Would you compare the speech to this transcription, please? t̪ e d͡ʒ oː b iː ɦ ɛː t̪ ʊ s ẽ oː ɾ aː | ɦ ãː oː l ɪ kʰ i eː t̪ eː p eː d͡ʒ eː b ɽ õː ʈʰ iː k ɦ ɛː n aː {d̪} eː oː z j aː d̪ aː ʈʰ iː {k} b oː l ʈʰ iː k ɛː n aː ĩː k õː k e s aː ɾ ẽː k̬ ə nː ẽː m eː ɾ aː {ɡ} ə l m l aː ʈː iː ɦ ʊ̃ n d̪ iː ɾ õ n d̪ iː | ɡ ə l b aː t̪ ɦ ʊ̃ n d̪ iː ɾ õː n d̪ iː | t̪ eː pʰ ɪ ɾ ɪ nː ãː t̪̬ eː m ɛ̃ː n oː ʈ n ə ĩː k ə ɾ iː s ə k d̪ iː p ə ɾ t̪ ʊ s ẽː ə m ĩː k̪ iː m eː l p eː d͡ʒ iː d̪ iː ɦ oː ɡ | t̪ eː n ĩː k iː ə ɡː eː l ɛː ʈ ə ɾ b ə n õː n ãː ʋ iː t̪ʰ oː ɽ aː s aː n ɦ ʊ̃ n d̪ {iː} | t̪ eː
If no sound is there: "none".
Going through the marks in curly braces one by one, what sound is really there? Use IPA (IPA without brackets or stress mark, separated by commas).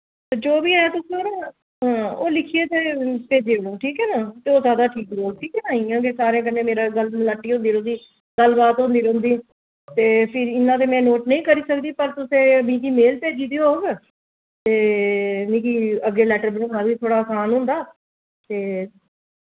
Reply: t̪, k, ɡ, aː